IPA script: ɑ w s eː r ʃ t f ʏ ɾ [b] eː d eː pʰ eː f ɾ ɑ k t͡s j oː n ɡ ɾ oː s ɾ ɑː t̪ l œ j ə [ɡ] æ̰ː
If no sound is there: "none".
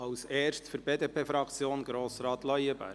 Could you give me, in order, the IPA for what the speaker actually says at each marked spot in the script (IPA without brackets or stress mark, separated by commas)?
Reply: b, b